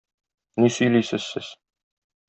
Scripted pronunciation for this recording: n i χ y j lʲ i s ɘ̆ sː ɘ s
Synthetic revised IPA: n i s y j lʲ i s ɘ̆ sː ɘ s